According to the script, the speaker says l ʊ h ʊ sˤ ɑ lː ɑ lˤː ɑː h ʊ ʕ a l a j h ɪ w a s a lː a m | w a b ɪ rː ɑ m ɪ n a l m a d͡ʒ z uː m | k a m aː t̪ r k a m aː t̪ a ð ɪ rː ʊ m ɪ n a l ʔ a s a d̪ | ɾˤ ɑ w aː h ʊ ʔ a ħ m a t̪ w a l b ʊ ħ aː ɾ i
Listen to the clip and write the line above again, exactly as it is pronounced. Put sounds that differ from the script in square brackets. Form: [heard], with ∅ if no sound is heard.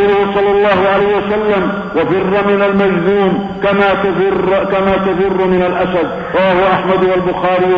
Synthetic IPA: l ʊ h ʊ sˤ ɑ lː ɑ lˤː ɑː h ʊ ʕ a l a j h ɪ w a s a lː a m | w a b ɪ rː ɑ m ɪ n a l m a d͡ʒ z uː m | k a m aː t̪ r k a m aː t̪ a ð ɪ rː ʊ m ɪ n a l ʔ a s a d̪ | ɾˤ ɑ w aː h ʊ ʔ a ħ m a [d̪] w a l b ʊ [x] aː ɾ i